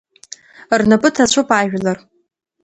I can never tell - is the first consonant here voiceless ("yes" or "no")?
no